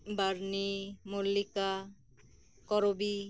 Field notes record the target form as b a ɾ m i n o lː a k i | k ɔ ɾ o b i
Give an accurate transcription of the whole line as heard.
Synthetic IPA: b a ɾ n i m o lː i k a | k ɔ ɾ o b i